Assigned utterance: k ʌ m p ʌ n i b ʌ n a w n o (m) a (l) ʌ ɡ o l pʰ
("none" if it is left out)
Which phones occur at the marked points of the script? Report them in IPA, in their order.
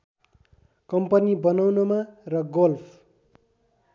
m, r

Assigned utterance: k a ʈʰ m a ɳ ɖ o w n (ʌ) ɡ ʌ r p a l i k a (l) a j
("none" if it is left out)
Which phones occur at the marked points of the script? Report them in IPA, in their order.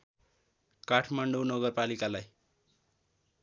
ʌ, l

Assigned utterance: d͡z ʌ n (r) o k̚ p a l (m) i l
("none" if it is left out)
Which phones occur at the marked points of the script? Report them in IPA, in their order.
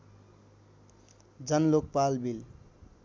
l, b

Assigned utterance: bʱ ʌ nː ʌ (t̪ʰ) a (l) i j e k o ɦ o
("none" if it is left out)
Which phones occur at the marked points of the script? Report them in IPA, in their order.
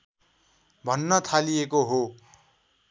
t̪ʰ, l

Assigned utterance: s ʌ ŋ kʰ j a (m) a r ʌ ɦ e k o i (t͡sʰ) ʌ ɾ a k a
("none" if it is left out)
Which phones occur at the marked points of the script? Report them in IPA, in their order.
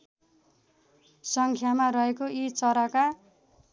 m, t͡s

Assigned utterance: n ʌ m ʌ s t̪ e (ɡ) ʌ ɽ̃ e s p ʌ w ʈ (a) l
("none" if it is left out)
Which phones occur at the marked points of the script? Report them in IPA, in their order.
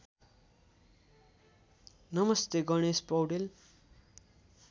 ɡ, e

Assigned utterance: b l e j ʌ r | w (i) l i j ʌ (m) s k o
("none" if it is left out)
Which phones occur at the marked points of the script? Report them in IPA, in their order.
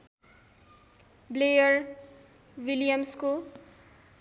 i, m

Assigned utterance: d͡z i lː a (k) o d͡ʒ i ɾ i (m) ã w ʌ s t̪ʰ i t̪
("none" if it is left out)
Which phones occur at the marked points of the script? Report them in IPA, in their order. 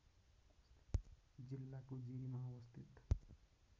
k, m

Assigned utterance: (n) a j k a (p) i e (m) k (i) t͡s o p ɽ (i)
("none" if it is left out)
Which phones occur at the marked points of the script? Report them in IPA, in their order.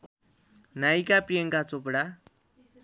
n, p, ŋ, a, a

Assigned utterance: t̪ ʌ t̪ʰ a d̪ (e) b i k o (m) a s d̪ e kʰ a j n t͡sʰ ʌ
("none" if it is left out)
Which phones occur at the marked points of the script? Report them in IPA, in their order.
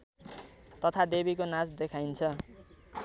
e, n

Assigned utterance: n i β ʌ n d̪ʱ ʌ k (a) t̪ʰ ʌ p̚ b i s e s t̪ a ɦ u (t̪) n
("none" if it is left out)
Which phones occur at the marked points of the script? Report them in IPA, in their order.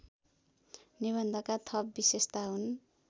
a, none

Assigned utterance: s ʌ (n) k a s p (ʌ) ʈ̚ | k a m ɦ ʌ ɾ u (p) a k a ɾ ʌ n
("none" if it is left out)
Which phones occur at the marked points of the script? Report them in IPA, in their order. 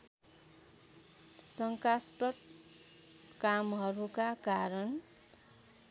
ŋ, ʌ, k

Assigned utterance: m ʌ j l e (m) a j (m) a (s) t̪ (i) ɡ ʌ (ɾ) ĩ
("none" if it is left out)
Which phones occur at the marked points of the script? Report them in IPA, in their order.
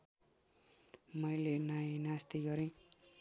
n, n, s, i, ɾ

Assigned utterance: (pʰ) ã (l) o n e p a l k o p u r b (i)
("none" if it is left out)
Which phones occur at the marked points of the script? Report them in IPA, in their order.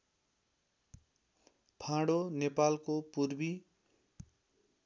pʰ, ɽ, i

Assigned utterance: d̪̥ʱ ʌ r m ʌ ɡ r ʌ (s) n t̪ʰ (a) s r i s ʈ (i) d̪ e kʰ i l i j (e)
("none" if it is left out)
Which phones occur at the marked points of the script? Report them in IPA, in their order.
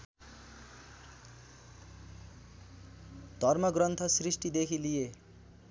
none, ʌ, i, e

